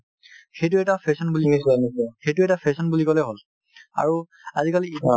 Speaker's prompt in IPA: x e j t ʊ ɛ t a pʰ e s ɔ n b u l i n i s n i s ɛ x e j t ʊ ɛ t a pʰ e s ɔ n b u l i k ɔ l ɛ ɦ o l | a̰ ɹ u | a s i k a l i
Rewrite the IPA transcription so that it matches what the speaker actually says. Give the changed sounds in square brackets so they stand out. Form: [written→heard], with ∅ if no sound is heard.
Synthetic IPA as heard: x e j t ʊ ɛ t a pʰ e s ɔ n b u l i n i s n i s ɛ x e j t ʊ ɛ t a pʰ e s ɔ n b u l i k ɔ l ɛ ɦ o l | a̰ ɹ u | a [s→z] i k a l i